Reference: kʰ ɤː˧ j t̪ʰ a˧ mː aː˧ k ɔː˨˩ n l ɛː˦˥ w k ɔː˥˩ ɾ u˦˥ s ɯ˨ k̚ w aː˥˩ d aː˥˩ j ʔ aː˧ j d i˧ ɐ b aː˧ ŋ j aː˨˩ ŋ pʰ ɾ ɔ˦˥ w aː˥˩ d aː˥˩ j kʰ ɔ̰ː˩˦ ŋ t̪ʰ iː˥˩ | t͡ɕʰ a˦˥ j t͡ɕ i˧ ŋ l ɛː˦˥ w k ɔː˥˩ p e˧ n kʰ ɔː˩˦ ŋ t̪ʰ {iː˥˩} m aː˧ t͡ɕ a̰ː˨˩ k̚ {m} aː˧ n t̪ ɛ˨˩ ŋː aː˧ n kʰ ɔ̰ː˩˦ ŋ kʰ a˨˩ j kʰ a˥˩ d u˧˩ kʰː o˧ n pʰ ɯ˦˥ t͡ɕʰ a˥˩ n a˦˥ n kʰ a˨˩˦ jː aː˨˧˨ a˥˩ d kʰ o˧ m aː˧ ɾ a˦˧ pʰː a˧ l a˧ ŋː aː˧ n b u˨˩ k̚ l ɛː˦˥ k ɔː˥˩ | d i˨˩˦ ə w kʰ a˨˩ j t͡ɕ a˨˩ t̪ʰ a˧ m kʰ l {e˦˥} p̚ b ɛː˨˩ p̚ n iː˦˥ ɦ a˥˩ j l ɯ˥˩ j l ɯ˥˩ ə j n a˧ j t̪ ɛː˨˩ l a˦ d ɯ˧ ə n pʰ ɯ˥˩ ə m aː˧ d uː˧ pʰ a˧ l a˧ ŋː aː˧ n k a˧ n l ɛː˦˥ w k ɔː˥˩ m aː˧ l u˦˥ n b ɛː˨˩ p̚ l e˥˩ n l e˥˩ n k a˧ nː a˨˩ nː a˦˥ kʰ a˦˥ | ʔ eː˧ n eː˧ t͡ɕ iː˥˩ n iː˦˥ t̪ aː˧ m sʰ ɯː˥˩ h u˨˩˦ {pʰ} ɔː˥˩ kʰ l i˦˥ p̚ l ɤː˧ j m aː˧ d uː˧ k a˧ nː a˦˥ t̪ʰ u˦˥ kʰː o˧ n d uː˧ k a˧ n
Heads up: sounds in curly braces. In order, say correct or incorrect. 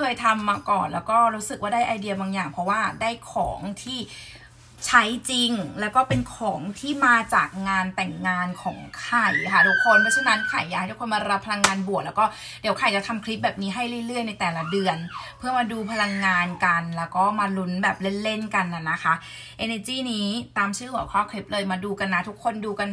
correct, incorrect, incorrect, incorrect

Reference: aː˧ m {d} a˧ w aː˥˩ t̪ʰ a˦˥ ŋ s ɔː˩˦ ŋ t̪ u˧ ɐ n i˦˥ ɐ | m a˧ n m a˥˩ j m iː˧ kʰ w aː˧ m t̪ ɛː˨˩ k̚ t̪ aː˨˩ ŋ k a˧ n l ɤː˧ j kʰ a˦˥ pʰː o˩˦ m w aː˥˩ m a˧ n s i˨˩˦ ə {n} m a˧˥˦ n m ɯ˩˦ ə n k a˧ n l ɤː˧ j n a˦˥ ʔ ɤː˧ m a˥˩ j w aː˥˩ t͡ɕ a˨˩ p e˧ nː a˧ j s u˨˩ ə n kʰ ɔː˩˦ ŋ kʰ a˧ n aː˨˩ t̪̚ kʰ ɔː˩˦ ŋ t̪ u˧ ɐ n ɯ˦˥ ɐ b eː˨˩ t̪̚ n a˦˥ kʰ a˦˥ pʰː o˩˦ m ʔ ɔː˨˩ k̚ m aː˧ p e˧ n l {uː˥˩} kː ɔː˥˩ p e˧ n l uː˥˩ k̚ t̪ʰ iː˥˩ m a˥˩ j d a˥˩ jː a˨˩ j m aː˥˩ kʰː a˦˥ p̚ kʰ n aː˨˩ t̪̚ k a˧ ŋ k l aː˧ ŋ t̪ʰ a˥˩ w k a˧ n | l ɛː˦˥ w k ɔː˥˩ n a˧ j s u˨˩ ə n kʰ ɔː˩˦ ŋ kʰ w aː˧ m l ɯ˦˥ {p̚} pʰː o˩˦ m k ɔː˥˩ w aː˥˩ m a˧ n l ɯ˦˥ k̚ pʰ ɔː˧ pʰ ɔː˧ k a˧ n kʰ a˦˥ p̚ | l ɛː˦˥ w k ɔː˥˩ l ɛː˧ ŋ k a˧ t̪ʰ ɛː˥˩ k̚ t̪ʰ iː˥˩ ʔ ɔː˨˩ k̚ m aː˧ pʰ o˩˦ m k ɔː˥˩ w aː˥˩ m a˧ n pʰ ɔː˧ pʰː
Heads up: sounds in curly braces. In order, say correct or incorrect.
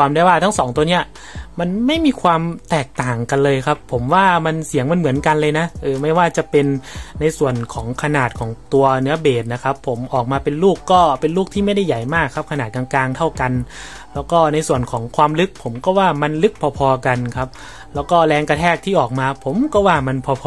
correct, incorrect, correct, incorrect

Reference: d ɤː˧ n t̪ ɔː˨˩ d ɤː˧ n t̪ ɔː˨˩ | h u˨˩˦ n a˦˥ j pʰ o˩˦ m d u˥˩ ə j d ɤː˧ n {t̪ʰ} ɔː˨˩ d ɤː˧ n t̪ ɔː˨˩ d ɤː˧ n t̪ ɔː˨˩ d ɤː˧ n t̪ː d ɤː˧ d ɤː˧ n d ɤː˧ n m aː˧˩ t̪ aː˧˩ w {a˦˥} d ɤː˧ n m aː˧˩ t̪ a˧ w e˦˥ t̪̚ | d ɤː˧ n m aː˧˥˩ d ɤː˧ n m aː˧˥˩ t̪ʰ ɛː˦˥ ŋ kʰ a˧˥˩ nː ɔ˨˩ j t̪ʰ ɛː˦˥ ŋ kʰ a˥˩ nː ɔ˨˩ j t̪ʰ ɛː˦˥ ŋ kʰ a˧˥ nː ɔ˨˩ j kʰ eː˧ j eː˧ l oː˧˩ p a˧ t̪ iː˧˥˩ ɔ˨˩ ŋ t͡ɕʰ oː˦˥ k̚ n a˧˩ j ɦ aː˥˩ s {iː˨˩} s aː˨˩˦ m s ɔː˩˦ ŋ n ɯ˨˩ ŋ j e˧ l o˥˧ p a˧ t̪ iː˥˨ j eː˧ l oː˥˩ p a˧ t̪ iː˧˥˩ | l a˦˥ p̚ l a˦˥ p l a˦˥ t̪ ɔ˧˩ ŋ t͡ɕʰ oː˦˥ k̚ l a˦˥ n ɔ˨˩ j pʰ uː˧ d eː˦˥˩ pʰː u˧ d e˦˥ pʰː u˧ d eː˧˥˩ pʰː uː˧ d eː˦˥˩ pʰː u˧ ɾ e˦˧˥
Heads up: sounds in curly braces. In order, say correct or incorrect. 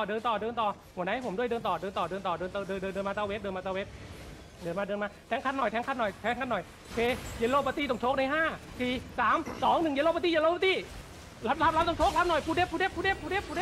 incorrect, incorrect, correct

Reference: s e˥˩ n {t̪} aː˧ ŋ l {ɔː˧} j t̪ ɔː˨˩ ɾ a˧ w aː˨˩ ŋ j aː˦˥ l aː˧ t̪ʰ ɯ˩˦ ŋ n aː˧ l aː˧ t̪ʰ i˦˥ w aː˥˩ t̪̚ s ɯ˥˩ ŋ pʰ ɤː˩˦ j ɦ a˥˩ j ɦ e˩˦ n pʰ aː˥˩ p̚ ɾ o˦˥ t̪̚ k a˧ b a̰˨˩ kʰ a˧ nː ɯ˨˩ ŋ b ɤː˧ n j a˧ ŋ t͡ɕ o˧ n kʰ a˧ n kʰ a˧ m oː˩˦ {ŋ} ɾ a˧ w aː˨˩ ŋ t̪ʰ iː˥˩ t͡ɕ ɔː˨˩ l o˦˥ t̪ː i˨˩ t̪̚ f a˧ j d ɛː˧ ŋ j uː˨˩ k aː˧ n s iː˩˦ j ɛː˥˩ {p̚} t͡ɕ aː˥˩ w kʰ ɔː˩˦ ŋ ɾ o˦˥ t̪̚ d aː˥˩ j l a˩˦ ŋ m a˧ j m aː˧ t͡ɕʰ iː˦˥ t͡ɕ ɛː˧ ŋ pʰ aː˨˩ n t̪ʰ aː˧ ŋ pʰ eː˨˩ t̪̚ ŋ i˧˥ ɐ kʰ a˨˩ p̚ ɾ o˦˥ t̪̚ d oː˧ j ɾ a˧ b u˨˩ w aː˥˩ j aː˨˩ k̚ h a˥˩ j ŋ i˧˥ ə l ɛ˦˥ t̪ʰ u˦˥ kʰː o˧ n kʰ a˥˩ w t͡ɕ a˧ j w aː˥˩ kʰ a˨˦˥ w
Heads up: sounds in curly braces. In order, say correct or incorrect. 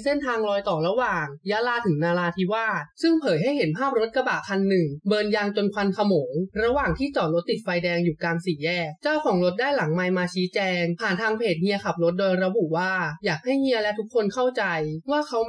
incorrect, correct, correct, incorrect

